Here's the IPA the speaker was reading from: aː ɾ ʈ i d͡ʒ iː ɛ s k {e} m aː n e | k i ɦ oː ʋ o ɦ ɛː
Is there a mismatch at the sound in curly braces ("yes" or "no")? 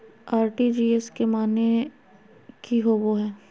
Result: no